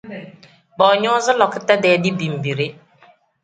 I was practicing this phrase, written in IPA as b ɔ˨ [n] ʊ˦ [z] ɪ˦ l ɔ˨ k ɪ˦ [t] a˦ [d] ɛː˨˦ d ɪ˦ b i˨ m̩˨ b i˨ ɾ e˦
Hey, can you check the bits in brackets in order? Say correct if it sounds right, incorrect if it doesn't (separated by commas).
incorrect, correct, correct, correct